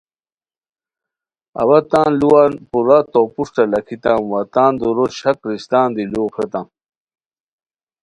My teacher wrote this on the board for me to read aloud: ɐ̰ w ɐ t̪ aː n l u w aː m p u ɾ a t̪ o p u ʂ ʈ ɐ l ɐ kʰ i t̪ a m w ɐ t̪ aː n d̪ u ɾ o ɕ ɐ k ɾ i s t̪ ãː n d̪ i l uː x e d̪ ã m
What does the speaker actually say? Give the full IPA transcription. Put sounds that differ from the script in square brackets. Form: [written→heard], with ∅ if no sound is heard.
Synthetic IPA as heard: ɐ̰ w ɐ t̪ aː n l u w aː [m→n] p u ɾ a t̪ o p u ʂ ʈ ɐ l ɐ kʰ i t̪ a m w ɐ t̪ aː n d̪ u ɾ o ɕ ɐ k ɾ i s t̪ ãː n d̪ i l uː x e [d̪→t̪] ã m